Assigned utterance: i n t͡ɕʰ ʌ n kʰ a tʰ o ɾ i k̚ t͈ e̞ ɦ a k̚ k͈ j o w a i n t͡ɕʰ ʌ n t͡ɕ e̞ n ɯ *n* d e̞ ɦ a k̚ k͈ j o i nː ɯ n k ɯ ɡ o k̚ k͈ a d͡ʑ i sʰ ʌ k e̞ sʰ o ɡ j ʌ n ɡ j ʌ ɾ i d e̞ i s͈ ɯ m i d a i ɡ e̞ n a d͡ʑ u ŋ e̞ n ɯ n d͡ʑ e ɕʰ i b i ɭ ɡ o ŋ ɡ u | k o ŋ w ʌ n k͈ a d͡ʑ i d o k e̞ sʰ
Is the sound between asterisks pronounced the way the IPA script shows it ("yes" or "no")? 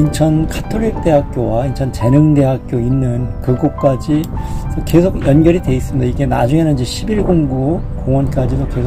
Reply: no